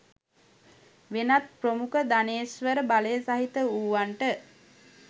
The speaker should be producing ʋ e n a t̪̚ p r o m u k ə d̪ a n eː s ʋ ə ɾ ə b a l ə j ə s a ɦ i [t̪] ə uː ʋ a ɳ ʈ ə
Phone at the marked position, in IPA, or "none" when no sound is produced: t̪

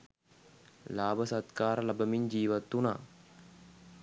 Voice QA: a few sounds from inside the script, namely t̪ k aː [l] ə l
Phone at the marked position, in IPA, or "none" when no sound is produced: ɾ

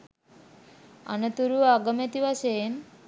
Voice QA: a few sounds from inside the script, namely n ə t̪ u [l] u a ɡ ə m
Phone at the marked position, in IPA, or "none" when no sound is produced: ɾ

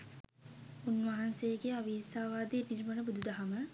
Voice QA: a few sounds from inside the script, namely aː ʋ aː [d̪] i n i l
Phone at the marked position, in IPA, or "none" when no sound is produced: d̪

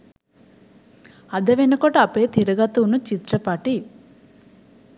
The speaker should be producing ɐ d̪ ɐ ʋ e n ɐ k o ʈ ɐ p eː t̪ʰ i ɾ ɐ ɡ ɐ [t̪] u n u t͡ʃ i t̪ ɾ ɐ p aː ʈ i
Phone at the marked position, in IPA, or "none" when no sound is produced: t̪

